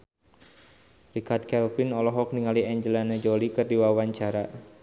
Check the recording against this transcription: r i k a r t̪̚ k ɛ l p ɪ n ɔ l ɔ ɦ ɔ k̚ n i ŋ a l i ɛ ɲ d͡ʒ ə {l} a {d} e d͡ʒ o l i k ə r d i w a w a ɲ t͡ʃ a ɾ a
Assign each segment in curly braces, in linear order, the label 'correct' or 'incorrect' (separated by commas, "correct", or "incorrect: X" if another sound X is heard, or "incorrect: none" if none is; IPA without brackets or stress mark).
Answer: correct, incorrect: n